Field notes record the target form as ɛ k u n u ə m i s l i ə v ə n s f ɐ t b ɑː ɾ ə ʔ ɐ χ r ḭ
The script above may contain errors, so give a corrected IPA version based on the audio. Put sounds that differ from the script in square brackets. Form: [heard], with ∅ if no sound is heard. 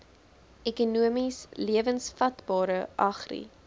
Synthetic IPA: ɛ k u n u ə m i s l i ə v ə n s f ɐ t b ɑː ɾ ə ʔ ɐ χ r ḭ